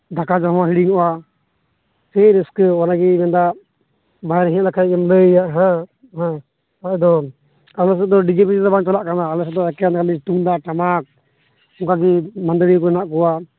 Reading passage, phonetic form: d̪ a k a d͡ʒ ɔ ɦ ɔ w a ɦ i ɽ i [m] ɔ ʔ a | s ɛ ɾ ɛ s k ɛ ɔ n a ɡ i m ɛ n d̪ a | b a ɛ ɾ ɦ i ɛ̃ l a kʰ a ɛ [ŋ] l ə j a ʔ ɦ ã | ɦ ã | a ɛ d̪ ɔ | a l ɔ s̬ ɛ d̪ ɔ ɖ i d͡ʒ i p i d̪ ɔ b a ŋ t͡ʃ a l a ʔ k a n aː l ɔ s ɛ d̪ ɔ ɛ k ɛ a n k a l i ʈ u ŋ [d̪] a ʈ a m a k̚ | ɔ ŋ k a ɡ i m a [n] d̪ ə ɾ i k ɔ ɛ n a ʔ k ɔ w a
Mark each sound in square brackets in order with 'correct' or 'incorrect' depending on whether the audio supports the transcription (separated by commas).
incorrect, incorrect, correct, correct